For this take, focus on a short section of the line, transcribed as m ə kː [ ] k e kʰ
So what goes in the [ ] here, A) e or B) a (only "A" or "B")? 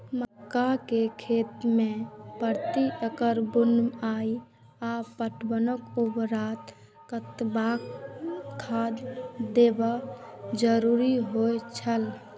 B